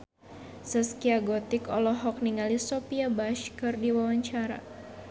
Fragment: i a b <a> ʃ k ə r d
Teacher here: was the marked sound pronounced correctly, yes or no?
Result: yes